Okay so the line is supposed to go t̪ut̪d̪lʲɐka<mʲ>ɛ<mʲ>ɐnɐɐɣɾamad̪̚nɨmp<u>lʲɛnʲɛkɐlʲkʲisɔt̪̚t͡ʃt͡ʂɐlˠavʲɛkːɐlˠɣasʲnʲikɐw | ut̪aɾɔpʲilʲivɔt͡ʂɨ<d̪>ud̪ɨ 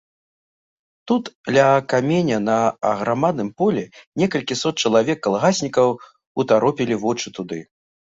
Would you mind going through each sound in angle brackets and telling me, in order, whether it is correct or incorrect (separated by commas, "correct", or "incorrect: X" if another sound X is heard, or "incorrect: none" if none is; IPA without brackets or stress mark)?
correct, incorrect: nʲ, incorrect: ɔ, incorrect: t̪